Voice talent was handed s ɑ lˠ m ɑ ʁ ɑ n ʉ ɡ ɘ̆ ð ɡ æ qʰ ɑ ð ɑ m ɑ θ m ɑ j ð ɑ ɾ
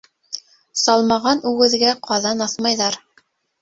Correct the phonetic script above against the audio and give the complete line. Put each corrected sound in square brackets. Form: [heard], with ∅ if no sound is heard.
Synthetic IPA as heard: s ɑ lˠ m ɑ ʁ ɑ n ʉ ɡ ɘ̆ ð ɡ æ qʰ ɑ ð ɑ [n] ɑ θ m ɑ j ð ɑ ɾ